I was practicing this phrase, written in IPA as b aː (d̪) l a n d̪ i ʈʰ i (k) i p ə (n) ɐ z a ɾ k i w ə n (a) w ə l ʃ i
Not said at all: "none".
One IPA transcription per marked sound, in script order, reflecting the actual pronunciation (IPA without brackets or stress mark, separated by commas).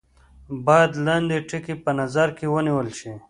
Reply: d̪, k, n, i